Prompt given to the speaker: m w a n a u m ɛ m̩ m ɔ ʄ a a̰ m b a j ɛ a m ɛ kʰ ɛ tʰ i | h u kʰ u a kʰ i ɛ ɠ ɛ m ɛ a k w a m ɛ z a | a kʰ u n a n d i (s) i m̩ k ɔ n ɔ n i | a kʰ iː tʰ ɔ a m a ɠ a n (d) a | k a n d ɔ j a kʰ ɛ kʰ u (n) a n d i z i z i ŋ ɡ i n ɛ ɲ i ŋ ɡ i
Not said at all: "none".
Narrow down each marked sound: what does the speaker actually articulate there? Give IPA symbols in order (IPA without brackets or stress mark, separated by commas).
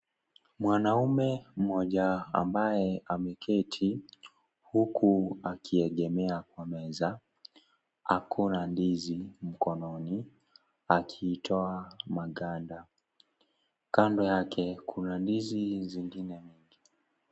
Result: z, d, n